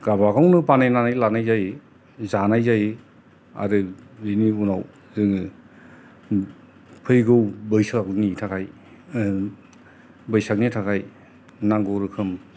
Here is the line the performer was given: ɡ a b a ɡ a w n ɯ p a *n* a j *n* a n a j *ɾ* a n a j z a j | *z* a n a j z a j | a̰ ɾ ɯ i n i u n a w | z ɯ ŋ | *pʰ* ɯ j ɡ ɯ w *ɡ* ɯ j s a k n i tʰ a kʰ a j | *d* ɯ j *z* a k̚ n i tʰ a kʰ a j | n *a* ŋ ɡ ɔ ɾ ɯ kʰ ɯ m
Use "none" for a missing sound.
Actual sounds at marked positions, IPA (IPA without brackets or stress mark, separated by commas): n, n, l, z, pʰ, b, b, s, a